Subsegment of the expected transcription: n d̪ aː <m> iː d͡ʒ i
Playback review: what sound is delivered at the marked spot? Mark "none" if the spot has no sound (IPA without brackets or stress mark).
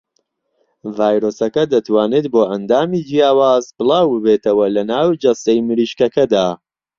m